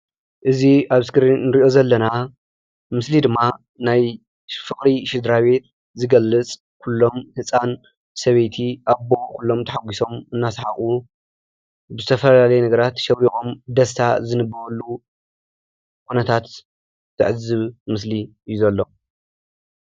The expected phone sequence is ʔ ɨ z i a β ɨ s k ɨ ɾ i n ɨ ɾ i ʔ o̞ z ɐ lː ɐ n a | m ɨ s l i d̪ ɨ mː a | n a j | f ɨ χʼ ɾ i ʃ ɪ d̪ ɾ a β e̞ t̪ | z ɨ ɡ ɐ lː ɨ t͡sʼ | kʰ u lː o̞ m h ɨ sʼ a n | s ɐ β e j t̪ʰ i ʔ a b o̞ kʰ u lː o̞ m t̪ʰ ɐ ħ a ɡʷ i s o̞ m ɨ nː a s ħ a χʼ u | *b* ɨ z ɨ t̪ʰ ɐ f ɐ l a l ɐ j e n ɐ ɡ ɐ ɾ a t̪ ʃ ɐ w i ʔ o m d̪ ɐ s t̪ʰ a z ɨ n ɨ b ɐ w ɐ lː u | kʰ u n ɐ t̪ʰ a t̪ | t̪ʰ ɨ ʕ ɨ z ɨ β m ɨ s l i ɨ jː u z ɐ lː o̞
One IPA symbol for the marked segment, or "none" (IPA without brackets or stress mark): b